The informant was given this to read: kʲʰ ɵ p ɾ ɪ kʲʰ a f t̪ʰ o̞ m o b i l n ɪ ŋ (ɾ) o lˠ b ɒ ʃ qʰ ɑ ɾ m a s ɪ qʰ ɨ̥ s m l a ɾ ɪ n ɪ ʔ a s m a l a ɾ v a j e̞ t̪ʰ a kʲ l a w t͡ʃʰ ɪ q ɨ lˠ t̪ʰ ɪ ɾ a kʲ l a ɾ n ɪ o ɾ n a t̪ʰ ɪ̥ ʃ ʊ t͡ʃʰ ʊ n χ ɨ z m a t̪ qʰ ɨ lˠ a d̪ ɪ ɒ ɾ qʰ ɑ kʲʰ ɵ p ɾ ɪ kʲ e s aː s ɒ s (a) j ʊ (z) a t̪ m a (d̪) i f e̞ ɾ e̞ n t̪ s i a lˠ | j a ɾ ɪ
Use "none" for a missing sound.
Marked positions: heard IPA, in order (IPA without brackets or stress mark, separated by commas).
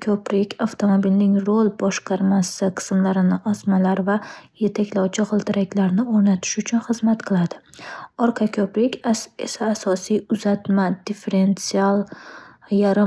ɾ, i, z, d̪